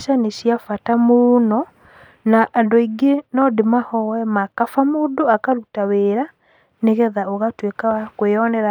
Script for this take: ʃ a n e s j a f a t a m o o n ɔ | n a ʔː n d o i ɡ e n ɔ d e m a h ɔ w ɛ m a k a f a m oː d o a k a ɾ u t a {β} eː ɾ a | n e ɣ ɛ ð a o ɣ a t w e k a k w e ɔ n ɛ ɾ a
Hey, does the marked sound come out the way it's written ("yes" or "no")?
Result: no